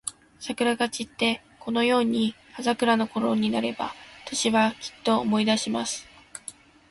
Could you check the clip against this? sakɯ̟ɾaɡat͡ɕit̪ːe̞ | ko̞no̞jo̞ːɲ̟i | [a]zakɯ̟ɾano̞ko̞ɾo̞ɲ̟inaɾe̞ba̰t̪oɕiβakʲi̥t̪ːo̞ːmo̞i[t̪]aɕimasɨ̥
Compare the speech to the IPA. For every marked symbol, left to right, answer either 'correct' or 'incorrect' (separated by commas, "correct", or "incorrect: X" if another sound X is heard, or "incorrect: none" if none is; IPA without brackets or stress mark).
correct, incorrect: d̪